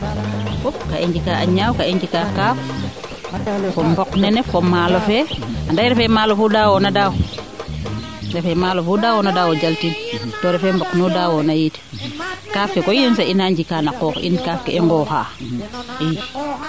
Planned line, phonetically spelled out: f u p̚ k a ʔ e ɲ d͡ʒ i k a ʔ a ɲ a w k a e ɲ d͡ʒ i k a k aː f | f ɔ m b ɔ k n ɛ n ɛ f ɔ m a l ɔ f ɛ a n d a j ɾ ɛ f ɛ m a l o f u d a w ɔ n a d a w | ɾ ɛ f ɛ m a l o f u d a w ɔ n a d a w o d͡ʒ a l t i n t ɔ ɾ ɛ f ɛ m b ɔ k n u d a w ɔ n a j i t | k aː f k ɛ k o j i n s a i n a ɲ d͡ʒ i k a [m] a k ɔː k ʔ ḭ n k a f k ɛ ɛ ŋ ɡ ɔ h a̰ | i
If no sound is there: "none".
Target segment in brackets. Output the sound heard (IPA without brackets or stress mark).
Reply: n